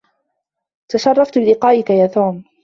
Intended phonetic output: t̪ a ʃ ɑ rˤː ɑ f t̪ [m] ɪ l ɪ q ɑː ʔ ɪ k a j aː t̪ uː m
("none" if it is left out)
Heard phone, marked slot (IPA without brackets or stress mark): b